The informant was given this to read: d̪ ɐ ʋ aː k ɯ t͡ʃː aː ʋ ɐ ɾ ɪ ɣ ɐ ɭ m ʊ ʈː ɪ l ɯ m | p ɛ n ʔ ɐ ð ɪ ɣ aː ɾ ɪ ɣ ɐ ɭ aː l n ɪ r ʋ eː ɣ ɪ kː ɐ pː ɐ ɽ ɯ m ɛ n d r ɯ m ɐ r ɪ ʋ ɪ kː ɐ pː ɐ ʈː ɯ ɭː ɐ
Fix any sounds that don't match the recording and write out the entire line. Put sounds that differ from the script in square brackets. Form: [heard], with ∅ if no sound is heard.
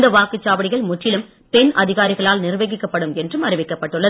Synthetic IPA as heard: d̪ ɐ ʋ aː k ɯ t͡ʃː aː ʋ ɐ [ɽ] ɪ ɣ ɐ ɭ m ʊ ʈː ɪ l ɯ m | p ɛ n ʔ ɐ ð ɪ ɣ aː ɾ ɪ ɣ ɐ ɭ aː l n ɪ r ʋ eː ɣ ɪ kː ɐ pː ɐ ɽ ɯ m ɛ n d r ɯ m ɐ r ɪ ʋ ɪ kː ɐ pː ɐ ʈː ɯ ɭː ɐ